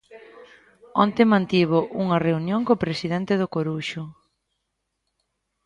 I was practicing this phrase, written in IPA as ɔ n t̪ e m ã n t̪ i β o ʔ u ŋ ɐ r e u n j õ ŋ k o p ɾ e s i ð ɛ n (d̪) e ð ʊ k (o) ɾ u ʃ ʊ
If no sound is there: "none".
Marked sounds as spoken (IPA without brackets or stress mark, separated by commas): t̪, o